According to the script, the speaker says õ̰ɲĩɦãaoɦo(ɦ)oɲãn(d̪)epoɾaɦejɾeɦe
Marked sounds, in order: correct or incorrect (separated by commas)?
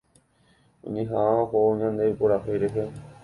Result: incorrect, correct